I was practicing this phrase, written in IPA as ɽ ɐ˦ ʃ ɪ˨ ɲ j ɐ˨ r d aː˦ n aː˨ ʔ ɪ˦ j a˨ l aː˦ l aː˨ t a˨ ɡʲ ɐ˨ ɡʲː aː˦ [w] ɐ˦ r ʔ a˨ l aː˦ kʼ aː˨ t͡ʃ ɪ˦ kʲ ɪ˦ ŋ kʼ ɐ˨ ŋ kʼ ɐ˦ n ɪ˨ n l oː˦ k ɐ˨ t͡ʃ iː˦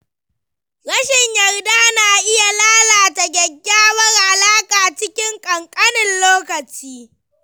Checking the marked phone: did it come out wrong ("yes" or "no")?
no